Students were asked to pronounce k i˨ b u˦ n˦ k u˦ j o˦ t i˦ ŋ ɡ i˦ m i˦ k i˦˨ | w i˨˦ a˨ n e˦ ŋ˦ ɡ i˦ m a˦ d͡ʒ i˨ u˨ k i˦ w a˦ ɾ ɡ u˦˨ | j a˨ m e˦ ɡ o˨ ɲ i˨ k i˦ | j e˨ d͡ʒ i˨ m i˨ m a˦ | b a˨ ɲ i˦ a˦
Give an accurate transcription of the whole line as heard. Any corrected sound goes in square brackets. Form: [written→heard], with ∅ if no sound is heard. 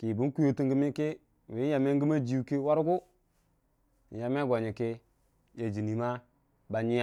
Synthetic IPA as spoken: k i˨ b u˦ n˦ k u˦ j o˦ t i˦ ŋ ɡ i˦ m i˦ k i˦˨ | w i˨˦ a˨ [n→m] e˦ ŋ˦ ɡ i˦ m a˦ d͡ʒ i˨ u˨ k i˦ w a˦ ɾ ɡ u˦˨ | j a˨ m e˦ ɡ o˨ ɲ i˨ k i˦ | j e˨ d͡ʒ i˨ [m→n] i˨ m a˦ | b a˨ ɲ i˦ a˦